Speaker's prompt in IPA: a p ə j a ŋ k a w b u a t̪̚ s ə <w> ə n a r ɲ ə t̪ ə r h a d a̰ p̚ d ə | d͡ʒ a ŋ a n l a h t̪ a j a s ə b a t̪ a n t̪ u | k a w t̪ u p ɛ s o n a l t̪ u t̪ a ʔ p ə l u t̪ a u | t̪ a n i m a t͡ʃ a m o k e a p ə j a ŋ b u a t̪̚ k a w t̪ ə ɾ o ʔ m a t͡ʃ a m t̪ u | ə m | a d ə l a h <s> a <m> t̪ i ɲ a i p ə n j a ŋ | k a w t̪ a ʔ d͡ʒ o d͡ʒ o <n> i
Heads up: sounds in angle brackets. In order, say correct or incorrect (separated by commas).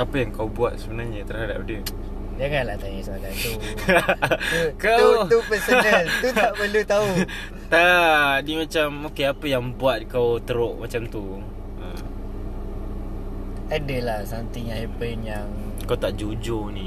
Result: incorrect, correct, incorrect, correct